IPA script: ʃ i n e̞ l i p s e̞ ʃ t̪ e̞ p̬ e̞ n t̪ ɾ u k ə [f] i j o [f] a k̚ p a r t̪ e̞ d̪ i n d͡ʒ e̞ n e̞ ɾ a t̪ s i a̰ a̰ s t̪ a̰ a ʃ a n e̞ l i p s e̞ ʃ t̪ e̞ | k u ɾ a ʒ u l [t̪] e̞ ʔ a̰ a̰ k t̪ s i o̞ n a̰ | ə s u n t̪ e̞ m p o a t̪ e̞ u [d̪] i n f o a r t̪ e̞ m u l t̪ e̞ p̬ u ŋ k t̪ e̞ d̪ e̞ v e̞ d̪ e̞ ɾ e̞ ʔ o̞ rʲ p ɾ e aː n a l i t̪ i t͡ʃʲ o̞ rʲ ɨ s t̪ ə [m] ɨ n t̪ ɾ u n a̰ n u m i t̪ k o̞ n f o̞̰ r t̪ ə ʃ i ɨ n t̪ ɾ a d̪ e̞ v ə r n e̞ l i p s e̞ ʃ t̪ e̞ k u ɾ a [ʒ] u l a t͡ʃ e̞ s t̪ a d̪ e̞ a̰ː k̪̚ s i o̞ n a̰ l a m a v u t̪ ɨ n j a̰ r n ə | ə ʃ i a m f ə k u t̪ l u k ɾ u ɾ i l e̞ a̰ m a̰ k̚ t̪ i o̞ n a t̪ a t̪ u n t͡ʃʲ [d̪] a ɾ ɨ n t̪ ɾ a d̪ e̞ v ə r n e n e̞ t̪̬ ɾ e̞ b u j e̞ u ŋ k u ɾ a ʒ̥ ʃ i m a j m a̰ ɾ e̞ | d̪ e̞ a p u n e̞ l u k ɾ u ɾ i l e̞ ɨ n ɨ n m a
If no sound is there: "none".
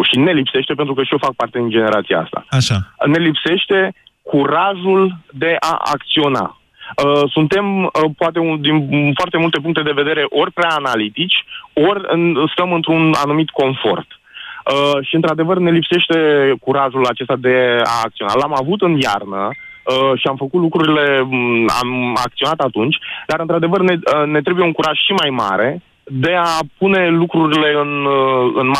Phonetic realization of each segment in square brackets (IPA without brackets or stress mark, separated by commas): ʃ, f, d̪, d̪, m, ʒ, d̪